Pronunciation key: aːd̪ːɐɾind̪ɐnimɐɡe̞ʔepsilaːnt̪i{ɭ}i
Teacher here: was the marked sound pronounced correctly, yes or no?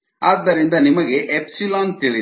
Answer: yes